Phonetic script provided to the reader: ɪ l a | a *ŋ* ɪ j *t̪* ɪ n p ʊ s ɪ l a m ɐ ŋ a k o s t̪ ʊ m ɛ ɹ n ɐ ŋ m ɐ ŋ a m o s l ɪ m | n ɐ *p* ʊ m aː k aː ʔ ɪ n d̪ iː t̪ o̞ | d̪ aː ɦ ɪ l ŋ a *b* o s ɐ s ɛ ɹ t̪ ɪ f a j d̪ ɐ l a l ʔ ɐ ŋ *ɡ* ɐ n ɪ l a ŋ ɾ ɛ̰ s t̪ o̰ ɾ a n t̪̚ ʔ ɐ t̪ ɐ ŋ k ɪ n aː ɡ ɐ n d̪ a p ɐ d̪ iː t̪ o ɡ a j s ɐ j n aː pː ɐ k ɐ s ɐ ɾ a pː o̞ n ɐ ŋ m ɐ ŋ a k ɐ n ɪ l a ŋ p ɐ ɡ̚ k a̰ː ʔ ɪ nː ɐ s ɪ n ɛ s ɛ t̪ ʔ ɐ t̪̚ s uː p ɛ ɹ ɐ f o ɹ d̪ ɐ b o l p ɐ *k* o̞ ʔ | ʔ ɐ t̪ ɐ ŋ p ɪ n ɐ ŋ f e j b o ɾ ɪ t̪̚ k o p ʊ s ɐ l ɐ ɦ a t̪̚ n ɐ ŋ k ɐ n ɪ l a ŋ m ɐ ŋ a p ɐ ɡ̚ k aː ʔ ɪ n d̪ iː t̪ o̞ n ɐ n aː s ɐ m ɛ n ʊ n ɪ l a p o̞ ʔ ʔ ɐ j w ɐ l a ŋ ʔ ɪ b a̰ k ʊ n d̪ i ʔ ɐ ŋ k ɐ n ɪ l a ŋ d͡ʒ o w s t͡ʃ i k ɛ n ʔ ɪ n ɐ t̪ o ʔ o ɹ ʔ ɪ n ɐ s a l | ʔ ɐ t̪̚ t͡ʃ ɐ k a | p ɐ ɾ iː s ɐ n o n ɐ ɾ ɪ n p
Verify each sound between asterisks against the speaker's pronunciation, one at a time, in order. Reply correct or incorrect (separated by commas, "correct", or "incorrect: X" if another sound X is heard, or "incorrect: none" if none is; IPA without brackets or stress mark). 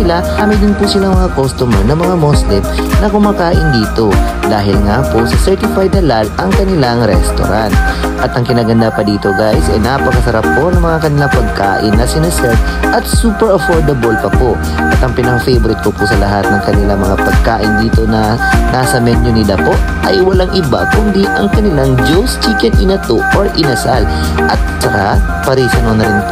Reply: incorrect: m, incorrect: d̪, incorrect: k, incorrect: p, incorrect: k, incorrect: p